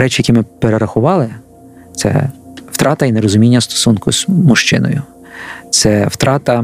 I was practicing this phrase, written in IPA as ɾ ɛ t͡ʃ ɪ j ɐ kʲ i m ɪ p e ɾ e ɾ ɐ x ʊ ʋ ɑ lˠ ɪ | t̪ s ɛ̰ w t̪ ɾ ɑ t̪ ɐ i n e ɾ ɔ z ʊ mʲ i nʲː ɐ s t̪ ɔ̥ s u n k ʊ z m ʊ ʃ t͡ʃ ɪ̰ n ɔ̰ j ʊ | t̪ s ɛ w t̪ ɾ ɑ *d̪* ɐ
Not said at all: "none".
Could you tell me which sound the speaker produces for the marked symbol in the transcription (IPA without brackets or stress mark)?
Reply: t̪